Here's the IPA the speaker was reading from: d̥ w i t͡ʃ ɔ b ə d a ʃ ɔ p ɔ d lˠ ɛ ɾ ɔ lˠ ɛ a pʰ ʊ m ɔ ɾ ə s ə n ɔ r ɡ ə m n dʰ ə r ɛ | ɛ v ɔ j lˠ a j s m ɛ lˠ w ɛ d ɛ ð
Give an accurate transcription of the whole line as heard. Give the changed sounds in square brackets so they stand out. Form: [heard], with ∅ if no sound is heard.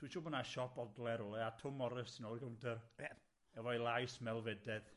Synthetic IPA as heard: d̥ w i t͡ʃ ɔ b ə [n] a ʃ ɔ p ɔ d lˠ ɛ ɾ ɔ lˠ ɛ a [tʰ] ʊ m ɔ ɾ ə s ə n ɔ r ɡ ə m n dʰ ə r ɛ | ɛ v ɔ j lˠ a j s m ɛ lˠ [v] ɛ d ɛ ð